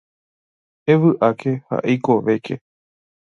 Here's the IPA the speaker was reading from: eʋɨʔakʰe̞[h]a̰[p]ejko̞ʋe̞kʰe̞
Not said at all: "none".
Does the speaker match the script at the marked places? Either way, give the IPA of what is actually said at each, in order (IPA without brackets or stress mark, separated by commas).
h, ʔ